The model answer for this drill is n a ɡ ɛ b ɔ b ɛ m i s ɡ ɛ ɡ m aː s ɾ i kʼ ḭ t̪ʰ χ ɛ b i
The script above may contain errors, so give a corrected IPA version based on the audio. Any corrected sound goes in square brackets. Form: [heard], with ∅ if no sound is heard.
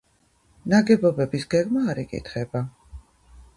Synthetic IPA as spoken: n a ɡ ɛ b ɔ b ɛ [b] i s ɡ ɛ ɡ m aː [∅] ɾ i kʼ ḭ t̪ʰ χ ɛ b [a]